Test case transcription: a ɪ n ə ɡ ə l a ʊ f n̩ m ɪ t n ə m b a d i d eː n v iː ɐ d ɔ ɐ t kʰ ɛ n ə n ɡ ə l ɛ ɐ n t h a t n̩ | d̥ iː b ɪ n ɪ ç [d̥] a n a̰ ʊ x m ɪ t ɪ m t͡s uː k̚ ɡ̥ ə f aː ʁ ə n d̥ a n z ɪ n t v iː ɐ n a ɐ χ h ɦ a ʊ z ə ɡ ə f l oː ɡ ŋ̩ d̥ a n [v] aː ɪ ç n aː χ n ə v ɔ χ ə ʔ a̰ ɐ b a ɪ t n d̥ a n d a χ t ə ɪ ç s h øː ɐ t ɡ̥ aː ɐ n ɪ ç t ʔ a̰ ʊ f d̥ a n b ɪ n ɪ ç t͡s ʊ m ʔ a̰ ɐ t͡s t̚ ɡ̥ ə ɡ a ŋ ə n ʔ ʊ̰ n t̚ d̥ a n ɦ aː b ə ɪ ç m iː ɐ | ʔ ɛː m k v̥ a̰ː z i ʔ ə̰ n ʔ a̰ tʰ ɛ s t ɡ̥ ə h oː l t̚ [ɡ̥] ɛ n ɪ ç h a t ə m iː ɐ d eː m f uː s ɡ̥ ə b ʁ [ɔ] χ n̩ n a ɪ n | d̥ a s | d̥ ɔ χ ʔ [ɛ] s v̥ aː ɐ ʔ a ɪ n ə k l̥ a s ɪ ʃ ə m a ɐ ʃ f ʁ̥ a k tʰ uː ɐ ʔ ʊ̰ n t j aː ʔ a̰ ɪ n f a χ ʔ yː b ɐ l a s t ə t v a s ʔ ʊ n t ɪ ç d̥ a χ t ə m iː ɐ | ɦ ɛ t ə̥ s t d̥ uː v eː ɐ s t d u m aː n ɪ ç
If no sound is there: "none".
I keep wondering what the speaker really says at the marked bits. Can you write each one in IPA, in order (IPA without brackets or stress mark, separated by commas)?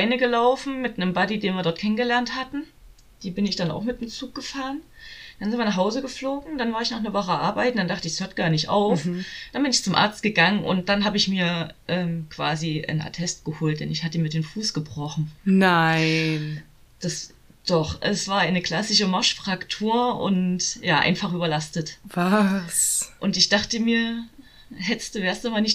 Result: d̥, v, d̥, ɔ, ɛ